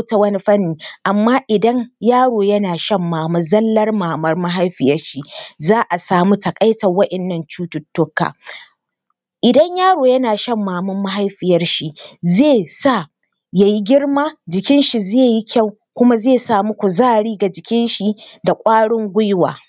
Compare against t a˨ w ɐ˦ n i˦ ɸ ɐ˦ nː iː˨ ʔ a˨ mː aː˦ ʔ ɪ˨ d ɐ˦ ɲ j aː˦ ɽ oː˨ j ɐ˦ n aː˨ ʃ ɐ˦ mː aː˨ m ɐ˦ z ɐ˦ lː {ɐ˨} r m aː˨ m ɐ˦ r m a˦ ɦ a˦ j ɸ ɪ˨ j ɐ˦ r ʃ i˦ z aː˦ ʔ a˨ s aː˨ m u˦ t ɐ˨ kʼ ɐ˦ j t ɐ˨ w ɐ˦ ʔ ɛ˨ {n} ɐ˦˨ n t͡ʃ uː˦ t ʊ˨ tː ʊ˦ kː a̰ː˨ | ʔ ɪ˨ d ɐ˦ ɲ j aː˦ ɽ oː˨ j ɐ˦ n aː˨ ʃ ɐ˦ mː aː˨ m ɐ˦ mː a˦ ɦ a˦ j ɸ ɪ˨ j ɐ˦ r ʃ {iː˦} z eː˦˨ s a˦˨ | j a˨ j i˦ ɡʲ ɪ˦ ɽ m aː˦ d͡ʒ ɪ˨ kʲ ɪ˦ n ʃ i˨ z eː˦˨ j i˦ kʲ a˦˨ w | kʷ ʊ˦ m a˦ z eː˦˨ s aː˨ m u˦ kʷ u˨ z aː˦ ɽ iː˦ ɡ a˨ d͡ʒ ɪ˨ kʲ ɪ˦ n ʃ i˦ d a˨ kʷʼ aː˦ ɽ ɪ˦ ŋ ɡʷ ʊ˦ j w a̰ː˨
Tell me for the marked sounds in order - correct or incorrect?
incorrect: ɐ˦, incorrect: nː, incorrect: i˦

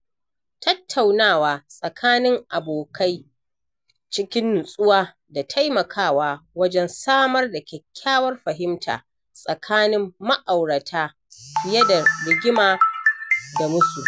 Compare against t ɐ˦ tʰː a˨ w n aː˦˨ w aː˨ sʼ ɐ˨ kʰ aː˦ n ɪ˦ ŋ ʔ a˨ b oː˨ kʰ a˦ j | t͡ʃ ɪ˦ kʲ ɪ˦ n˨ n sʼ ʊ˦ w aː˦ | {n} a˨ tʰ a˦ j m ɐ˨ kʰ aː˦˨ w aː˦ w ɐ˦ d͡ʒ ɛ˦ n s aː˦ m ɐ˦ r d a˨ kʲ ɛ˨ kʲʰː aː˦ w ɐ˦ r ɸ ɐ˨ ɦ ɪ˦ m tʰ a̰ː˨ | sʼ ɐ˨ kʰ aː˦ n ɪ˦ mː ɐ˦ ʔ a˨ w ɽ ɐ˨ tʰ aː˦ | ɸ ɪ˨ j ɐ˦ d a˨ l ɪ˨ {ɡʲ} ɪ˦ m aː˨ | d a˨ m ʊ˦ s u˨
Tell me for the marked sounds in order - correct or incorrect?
incorrect: d, correct

